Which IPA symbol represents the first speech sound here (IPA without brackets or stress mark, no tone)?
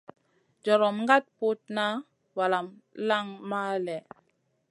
d͡ʒ